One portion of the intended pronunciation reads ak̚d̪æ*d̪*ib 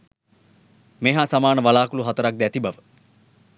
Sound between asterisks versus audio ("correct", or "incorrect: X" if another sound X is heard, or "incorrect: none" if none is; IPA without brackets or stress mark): incorrect: t̪